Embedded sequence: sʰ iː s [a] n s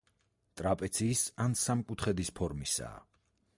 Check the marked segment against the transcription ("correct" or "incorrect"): correct